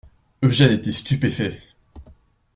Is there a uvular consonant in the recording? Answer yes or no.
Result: no